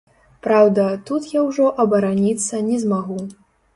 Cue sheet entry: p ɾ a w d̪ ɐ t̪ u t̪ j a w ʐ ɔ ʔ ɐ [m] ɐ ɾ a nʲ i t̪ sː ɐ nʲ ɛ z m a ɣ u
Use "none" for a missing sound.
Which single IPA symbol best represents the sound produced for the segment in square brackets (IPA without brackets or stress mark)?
b